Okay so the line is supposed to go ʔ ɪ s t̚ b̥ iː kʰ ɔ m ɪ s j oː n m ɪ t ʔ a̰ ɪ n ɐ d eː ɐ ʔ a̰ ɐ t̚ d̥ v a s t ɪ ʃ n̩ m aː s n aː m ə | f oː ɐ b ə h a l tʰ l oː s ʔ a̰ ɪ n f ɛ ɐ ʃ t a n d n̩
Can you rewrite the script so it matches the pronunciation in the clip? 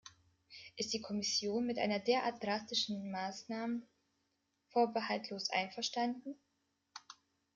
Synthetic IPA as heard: ʔ ɪ s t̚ d̥ iː kʰ ɔ m ɪ s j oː n m ɪ t ʔ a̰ ɪ n ɐ d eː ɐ ʔ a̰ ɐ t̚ d̥ ʁ a s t ɪ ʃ n̩ m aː s n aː m ə | f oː ɐ b ə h a l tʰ l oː s ʔ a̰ ɪ n f ɛ ɐ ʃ t a n d n̩